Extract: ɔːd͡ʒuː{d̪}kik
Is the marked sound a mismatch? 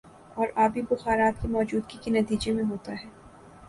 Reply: no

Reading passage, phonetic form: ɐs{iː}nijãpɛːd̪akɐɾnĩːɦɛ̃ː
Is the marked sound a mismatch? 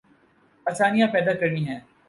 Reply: yes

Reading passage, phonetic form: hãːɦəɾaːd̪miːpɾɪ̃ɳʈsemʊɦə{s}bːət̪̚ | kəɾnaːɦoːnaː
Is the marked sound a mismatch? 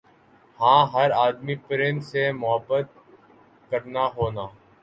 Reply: yes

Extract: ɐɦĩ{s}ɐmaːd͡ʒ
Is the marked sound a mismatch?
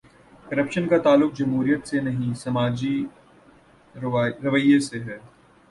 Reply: no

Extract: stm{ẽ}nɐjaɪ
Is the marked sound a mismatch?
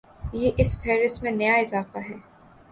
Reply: no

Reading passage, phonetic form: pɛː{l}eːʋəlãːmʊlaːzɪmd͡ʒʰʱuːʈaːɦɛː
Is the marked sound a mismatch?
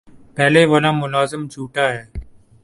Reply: no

